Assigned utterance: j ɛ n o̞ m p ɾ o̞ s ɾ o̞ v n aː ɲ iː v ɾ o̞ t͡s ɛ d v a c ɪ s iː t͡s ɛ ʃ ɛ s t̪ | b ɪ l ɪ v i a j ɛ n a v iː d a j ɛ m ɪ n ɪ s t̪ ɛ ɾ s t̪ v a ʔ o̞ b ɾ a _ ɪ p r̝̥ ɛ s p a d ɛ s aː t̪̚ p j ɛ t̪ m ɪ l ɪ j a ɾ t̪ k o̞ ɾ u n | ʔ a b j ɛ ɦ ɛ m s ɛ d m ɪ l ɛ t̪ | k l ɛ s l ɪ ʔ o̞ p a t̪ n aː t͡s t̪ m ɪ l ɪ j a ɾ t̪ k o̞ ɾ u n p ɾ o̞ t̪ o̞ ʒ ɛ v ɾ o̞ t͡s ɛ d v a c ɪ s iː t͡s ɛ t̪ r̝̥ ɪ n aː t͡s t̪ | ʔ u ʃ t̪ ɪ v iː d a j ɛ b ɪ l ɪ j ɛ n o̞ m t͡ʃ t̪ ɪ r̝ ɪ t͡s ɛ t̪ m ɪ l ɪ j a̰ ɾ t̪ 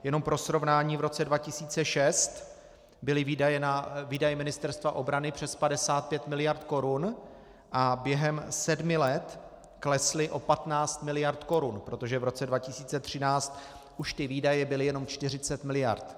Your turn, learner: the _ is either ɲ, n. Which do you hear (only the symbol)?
n